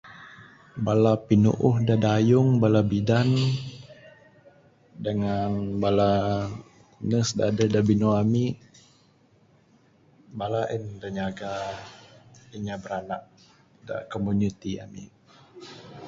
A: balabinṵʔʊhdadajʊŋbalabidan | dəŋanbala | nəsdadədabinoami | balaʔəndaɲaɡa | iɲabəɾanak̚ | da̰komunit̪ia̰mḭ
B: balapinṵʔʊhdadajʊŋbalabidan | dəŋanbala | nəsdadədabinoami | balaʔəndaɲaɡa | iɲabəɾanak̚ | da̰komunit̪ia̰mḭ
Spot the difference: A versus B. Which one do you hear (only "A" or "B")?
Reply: B